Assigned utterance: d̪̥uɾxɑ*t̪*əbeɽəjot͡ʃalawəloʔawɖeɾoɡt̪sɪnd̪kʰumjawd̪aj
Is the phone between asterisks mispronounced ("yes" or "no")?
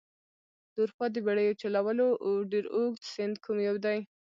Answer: yes